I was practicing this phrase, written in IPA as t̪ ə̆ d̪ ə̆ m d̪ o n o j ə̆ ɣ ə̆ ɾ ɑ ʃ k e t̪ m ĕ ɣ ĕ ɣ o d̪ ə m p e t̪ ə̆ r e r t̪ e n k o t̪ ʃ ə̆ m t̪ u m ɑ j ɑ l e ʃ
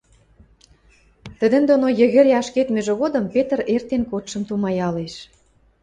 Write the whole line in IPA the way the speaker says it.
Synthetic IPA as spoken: t̪ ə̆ d̪ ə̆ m d̪ o n o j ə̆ ɣ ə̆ ɾ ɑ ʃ k e t̪ m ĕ ʒ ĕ ɣ o d̪ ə m p e t̪ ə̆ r e r t̪ e n k o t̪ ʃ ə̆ m t̪ u m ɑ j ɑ l e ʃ